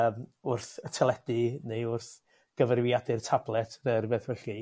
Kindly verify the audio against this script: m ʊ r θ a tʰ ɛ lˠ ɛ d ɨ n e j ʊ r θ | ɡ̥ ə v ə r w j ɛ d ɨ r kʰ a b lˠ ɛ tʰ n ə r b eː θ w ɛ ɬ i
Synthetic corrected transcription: m ʊ r θ ə tʰ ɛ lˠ ɛ d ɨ n e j ʊ r θ | ɡ̥ ə v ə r w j a d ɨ r tʰ a b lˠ ɛ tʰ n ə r b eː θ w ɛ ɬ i

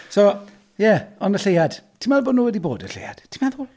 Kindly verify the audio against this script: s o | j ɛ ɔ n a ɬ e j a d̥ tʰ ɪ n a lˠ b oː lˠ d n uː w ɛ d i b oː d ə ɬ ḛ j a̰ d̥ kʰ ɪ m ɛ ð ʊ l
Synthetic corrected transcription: s o | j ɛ ɔ n ə ɬ e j a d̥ tʰ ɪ m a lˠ b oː d n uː w ɛ d i b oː d ə ɬ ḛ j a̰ d̥ tʰ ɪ m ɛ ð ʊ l

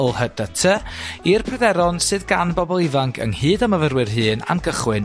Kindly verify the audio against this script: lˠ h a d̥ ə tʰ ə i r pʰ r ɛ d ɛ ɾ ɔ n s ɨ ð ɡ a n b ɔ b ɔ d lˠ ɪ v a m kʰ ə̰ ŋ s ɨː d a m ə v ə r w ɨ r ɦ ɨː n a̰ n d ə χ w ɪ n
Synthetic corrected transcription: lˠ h ə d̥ ə tʰ ə i r pʰ r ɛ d ɛ ɾ ɔ n s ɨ ð ɡ a n b ɔ b ɔ lˠ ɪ v a ŋ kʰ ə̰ ŋ h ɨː d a m ə v ə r w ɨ r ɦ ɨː n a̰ n ɡ ə χ w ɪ n

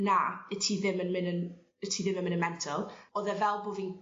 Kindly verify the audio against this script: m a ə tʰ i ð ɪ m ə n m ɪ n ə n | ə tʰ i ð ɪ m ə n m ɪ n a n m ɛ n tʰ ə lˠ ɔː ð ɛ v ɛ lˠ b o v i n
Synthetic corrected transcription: n a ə tʰ i ð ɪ m ə n m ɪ n ə n | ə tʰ i ð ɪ m ə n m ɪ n ə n m ɛ n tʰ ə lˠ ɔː ð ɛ v ɛ lˠ b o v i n

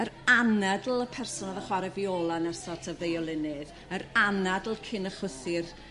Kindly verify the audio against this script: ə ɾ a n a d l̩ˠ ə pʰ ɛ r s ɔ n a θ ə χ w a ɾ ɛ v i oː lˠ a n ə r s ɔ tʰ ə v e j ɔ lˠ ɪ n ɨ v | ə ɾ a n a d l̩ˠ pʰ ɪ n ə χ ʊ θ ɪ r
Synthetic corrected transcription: ə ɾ a n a d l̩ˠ ə pʰ ɛ r s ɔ n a ð ə χ w a ɾ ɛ v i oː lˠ a n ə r s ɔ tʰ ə v e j ɔ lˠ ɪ n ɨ ð | ə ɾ a n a d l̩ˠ kʰ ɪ n ə χ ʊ θ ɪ r

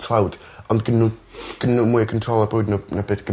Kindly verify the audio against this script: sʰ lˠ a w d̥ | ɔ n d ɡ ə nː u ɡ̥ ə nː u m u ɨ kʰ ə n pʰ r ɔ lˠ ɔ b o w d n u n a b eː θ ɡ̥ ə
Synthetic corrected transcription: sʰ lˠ a w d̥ | ɔ n d ɡ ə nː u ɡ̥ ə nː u m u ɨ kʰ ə n tʰ r ɔ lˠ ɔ b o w d n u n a b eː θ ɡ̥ ə

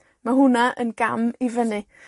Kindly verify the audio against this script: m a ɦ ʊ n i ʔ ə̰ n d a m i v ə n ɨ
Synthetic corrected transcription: m a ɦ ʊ n a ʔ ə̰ n ɡ a m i v ə n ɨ

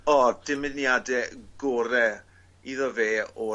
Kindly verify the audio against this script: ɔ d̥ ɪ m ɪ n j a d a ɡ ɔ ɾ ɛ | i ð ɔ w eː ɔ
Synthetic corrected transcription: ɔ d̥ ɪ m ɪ n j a d ɛ ɡ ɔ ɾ ɛ | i ð ɔ v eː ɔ

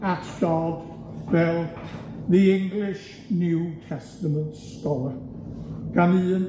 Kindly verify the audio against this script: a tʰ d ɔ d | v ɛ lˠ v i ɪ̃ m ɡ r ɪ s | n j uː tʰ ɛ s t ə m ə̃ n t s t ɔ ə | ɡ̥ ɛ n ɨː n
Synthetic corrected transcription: a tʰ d ɔ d | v ɛ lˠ ð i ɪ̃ ŋ ɡ l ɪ ʃ | n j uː tʰ ɛ s t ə m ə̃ n t s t ɔ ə | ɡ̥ a n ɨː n

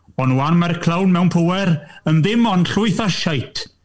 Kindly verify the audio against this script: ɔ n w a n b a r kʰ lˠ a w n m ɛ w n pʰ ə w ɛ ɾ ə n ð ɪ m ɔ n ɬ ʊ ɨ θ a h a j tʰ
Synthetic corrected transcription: ɔ n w a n m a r kʰ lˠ a w n m ɛ w n pʰ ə w ɛ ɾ ə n ð ɪ m ɔ n ɬ ʊ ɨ θ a ʃ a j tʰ

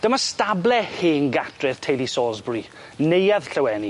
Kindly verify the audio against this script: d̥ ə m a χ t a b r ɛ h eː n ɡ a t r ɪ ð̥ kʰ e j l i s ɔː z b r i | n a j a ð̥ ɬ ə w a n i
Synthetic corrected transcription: d̥ ə m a s t a b l ɛ h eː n ɡ a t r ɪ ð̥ tʰ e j l i s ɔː z b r i | n e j a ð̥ ɬ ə w ɛ n i

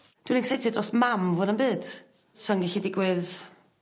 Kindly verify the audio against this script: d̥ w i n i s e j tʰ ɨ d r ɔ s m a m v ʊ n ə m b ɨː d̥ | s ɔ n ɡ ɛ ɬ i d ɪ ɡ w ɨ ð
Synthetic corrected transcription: d̥ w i n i s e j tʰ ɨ d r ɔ s m a m v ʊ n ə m b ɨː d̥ | s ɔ n ɡ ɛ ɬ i d ɪ ɡ w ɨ ð

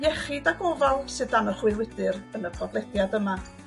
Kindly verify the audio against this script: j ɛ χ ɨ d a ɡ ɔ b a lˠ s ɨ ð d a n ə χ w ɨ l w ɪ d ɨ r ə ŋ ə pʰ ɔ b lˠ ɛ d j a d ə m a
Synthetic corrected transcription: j ɛ χ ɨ d a ɡ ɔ v a lˠ s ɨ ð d a n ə χ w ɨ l w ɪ d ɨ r ə n ə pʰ ɔ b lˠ ɛ d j a d ə m a

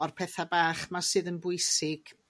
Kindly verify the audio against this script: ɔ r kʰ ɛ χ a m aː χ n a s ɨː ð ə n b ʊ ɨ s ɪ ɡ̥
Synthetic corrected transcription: ɔ r pʰ ɛ θ a b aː χ m a s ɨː ð ə n b ʊ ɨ s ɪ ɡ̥

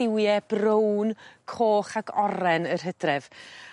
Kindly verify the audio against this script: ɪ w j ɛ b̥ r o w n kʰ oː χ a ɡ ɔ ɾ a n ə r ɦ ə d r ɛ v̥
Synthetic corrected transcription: ɪ w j ɛ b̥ r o w n kʰ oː χ a ɡ ɔ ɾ ɛ n ə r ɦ ə d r ɛ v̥

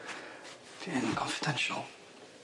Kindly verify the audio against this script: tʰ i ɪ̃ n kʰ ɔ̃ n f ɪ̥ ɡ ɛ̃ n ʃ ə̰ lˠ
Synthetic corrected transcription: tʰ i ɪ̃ n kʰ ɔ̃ n f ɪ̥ d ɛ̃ n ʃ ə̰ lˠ

